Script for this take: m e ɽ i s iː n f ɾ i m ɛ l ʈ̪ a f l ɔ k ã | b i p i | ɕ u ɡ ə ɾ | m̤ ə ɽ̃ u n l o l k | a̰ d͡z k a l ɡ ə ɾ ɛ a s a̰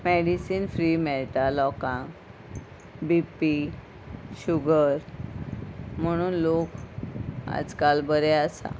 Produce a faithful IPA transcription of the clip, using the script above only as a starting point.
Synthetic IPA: m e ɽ i s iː n f ɾ i m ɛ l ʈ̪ a l ɔ k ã | b i p i | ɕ u ɡ ə ɾ | m̤ ə ɽ̃ uː n l o k | a̰ d͡z k a l b ə ɾ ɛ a s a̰